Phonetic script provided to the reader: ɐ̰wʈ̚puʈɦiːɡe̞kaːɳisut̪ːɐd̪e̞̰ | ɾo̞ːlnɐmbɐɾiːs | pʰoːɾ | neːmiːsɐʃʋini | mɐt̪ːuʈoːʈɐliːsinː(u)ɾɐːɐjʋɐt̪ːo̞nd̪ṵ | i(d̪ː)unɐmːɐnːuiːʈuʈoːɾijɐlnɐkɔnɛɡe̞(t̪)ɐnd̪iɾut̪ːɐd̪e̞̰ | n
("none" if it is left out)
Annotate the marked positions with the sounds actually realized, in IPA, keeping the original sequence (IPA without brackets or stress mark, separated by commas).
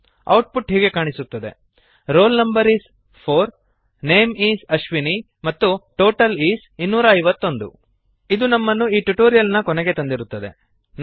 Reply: uː, d̪, t̪